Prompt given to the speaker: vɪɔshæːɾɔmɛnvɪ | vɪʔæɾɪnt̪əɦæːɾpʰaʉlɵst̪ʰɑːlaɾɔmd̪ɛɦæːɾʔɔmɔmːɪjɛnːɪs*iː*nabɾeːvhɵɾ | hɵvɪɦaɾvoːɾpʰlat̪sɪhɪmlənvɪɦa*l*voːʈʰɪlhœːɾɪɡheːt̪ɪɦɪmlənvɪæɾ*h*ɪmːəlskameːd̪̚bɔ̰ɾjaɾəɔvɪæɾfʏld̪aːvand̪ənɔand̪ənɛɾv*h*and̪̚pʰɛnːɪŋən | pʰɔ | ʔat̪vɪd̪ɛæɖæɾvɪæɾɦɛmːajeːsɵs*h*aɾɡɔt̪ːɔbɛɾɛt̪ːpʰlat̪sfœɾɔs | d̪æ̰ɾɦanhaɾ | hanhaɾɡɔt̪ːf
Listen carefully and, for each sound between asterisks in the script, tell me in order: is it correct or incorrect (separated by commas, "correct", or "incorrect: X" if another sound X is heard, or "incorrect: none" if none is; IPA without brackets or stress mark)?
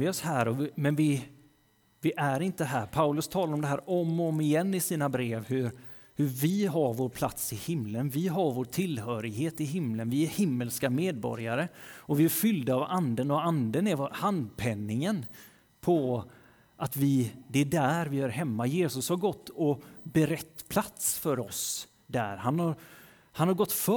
correct, incorrect: ɾ, correct, correct, correct